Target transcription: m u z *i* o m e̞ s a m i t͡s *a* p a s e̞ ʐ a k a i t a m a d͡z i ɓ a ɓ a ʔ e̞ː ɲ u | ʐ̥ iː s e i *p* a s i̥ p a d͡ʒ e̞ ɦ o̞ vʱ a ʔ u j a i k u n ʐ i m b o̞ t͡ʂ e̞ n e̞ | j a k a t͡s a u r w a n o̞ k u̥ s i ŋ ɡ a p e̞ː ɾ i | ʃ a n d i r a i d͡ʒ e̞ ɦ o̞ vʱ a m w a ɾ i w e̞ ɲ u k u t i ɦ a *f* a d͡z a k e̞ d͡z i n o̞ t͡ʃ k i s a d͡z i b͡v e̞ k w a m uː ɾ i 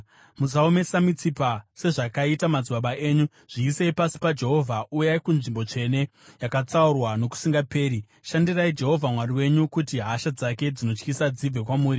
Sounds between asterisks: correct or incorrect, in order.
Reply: incorrect: a, incorrect: i, correct, incorrect: ʃ

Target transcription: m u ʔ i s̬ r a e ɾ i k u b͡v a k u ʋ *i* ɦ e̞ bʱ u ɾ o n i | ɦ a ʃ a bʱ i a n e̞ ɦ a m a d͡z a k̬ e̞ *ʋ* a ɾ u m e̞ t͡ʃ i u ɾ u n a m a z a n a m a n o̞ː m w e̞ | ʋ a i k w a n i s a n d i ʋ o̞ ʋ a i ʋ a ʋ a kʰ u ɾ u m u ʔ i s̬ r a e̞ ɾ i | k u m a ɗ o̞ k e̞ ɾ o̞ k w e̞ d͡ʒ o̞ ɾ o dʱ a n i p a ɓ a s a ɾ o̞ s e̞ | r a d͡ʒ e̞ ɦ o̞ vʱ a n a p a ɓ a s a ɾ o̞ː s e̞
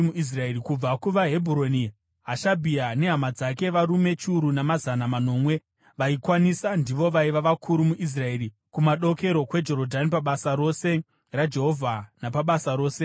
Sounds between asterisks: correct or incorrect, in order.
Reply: incorrect: a, correct

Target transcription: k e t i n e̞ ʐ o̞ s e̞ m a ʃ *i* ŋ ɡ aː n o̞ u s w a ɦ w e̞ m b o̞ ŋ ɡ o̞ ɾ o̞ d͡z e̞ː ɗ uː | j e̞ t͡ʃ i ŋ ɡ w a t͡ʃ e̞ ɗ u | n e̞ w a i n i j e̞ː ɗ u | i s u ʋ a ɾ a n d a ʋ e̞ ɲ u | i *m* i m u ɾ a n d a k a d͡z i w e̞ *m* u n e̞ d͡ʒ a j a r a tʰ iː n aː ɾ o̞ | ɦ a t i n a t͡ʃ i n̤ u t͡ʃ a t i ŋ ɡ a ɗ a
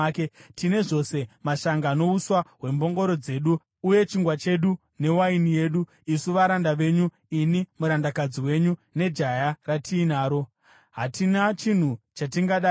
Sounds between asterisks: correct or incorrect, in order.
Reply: incorrect: a, incorrect: n, incorrect: ɲ

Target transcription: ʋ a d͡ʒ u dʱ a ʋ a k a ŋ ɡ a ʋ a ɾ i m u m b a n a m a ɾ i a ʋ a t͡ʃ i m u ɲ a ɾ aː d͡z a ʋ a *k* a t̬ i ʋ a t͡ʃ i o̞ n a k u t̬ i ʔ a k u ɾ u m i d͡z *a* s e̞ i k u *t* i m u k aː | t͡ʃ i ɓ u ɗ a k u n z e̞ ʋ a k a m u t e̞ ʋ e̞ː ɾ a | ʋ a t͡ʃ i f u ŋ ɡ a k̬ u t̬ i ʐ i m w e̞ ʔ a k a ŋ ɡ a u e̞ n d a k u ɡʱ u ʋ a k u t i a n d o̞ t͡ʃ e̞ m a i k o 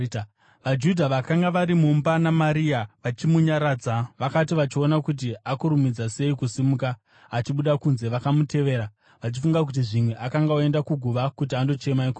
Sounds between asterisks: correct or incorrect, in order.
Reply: correct, correct, incorrect: s

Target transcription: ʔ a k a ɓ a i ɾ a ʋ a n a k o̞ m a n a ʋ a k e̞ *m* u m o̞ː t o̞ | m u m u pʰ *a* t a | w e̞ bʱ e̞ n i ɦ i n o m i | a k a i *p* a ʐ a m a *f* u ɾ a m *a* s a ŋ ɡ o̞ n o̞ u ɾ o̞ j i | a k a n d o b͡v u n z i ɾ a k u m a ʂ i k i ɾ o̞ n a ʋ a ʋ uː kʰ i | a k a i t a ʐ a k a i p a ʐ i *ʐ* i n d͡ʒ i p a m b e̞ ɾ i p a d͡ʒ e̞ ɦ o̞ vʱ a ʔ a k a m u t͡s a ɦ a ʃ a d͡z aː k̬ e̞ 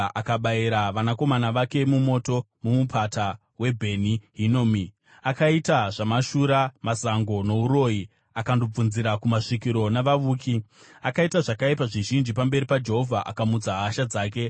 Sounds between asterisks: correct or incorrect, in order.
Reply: correct, correct, incorrect: t, incorrect: ʃ, correct, incorrect: ʒ

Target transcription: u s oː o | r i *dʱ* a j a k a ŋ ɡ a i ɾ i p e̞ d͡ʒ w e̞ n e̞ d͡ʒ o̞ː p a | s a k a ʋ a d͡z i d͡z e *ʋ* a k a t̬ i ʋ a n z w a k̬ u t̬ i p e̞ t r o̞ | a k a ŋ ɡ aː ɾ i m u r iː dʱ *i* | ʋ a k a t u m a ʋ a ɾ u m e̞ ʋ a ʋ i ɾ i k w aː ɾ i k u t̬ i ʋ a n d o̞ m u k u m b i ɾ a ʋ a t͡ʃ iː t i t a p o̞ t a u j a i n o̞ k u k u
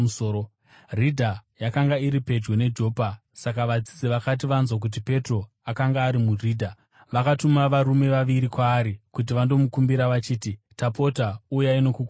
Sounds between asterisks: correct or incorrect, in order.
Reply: correct, correct, incorrect: a

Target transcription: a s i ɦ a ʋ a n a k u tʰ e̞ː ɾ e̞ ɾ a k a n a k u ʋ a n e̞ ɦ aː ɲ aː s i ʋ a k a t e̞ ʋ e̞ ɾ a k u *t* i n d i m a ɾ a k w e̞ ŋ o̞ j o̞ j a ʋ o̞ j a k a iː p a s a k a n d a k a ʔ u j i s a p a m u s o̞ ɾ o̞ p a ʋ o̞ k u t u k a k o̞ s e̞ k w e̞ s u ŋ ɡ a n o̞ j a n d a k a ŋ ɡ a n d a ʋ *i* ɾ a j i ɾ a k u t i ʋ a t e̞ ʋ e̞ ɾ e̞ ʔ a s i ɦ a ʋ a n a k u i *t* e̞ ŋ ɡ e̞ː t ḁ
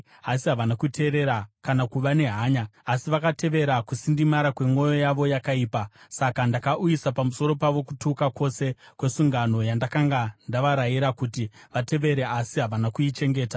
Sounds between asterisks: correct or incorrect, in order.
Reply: incorrect: s, incorrect: a, incorrect: t͡ʃ

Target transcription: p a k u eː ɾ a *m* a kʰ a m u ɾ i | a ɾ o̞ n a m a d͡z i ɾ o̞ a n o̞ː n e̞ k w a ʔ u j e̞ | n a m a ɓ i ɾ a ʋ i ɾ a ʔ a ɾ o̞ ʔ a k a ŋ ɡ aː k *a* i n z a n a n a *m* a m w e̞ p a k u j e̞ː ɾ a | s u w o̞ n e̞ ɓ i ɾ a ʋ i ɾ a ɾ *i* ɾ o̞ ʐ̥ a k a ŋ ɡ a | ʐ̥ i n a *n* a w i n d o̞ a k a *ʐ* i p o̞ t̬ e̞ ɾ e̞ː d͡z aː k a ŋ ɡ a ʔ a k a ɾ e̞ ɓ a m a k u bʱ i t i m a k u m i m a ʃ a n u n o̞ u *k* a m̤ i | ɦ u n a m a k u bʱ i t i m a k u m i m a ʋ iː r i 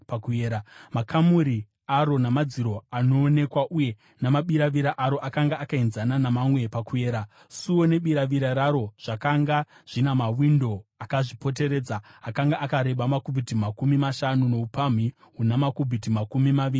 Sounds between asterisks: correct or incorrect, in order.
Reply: correct, correct, correct, incorrect: a, incorrect: m, correct, incorrect: p

